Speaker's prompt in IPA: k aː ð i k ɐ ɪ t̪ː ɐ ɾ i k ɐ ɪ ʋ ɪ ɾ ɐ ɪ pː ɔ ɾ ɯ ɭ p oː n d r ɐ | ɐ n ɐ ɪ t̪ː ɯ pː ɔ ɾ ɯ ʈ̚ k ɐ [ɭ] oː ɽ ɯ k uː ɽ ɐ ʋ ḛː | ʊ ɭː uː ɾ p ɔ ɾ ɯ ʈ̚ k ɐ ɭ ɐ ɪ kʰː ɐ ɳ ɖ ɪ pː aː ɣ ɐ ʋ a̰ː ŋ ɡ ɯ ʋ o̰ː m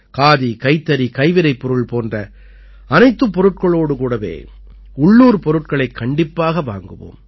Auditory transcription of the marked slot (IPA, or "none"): ɭ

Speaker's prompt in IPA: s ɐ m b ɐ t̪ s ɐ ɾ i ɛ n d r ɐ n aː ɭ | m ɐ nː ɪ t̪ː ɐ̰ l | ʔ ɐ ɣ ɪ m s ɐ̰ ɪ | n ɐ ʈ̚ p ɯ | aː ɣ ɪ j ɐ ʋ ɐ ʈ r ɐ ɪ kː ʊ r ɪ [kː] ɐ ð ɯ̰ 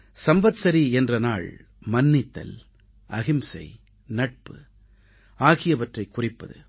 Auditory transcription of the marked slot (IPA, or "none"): pː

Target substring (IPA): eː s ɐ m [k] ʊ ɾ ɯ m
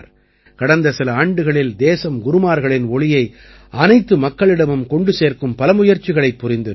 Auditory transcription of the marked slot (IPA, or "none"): ɡ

